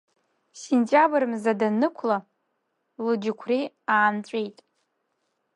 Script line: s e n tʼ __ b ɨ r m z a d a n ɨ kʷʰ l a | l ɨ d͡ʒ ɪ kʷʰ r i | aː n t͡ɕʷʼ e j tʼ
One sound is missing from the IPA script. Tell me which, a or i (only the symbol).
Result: a